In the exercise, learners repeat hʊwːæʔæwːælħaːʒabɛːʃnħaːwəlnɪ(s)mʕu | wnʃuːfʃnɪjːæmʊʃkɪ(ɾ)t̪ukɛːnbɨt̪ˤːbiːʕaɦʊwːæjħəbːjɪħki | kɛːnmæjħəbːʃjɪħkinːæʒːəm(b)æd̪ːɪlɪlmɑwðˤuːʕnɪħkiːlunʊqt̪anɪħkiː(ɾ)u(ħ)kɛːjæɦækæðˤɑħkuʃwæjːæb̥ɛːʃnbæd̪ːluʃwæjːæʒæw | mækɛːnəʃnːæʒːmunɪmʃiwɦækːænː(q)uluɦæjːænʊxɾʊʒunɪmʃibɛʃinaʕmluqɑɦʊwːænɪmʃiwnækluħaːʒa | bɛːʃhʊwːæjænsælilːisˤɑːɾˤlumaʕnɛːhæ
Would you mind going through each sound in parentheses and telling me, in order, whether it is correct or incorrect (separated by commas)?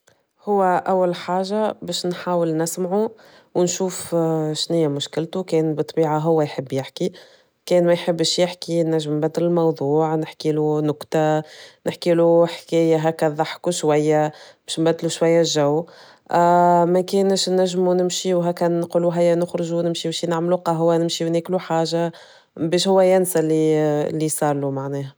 correct, incorrect, correct, incorrect, correct, correct